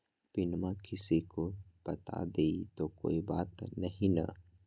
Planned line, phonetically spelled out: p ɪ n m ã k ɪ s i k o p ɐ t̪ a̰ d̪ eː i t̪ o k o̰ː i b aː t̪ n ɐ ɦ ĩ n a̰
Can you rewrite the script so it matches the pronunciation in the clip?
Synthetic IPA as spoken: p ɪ n m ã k ɪ s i k o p ɐ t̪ a̰ d̪ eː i t̪ o k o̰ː i b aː t̪ n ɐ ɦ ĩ n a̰